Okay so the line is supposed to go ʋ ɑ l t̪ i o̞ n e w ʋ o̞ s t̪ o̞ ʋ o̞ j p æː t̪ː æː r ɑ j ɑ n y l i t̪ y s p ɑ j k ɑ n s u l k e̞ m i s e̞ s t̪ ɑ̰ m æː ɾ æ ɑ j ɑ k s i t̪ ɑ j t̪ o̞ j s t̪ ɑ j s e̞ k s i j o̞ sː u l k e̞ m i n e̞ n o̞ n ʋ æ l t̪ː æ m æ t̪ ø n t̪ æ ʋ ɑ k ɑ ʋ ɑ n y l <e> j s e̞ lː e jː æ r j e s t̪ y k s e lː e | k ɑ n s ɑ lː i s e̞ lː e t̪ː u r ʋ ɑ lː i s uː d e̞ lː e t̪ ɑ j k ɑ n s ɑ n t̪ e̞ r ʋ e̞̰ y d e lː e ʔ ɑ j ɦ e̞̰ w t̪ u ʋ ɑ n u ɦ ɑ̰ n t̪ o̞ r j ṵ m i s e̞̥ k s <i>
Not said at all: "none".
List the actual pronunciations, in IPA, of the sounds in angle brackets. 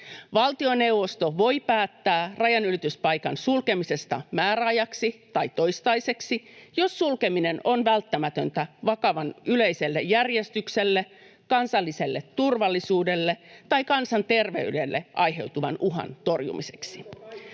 e, i

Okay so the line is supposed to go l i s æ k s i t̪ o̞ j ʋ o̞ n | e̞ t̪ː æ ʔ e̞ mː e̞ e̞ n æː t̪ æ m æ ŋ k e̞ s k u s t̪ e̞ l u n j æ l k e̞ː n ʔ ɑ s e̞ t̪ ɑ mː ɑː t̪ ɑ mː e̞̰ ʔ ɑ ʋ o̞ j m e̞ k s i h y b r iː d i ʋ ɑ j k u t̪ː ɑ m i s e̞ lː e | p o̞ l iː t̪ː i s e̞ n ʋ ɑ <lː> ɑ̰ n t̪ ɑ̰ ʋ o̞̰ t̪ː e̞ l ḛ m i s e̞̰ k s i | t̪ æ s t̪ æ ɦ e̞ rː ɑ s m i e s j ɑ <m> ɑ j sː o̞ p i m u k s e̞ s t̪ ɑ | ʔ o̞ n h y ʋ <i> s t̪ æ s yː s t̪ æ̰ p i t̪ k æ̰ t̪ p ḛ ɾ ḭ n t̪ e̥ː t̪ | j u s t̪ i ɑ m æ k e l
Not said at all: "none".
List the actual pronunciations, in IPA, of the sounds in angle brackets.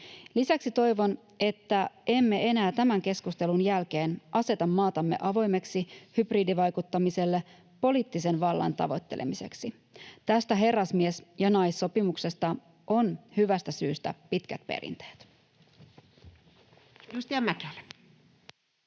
lː, n, æ

